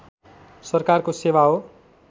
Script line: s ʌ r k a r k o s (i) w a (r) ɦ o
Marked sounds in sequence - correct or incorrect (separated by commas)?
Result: incorrect, incorrect